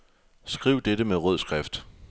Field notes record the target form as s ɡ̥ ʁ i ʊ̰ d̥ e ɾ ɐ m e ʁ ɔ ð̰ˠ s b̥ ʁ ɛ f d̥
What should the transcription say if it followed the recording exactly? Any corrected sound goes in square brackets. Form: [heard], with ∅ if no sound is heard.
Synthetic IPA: s ɡ̥ ʁ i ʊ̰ d̥ e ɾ [ə] m e ʁ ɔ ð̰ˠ s [ɡ̥] ʁ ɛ f d̥